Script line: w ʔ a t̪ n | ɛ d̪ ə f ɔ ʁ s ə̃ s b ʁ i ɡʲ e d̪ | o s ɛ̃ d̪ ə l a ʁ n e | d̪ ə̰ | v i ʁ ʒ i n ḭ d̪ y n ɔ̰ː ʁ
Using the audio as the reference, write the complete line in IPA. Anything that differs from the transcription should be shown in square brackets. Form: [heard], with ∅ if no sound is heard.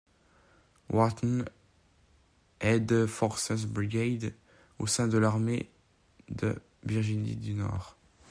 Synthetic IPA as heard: w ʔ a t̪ n | ɛ d̪ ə f ɔ ʁ s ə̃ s b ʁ i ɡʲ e d̪ | o s ɛ̃ d̪ ə l a ʁ [m] e | d̪ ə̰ | v i ʁ ʒ i n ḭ d̪ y n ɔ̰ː ʁ